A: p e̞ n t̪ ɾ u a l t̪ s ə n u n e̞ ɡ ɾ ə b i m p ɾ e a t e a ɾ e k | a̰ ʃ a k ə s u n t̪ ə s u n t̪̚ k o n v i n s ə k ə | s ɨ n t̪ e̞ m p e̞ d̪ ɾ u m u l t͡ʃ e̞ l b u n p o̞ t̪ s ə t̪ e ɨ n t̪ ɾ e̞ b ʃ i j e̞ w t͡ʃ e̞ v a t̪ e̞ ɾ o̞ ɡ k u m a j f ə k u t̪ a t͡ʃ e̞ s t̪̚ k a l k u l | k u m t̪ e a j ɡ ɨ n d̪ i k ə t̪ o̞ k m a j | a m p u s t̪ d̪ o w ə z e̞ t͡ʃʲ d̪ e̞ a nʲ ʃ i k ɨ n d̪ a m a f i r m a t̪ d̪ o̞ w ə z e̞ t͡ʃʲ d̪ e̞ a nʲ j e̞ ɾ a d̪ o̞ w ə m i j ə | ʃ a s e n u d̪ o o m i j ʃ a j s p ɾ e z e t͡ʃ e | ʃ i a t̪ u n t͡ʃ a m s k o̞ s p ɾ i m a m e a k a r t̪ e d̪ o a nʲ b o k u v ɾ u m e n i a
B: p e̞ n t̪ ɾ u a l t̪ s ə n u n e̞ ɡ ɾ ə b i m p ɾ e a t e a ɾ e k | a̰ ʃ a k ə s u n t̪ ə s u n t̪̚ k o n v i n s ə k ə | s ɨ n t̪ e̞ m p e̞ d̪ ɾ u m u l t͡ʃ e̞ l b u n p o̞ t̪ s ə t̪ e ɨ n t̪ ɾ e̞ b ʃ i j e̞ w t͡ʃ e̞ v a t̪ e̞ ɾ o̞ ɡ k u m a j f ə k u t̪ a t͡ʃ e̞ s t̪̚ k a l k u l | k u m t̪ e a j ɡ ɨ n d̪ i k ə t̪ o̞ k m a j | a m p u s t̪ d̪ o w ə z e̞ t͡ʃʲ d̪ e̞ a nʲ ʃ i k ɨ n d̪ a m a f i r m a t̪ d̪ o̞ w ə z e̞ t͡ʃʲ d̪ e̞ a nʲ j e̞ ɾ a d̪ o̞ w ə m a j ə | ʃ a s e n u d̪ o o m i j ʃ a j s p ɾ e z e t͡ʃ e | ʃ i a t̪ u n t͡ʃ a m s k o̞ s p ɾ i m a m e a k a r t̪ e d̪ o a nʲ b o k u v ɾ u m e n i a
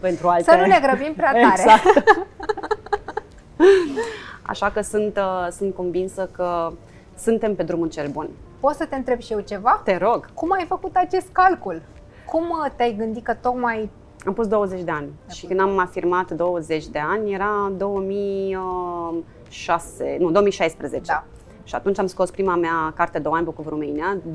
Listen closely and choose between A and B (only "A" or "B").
A